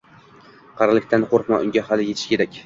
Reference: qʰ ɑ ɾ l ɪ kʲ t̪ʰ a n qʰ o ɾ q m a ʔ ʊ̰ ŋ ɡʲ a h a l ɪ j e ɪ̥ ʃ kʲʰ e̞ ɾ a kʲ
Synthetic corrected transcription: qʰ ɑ ɾ l ɪ kʲ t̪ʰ a n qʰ o ɾ q m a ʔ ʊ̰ ŋ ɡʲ a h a l ɪ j e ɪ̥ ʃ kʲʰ e̞ ɾ a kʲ